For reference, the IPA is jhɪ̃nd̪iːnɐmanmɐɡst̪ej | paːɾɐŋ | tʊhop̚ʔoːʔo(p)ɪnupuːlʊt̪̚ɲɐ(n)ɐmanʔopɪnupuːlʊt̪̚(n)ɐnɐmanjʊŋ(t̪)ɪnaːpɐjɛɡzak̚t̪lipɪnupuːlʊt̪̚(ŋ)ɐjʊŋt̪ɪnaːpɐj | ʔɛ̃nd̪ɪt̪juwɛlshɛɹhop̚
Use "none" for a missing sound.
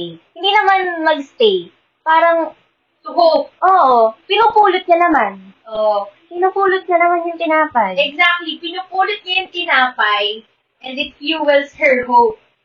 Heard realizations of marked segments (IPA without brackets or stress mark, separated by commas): p, n, ɲ, t̪, ɲ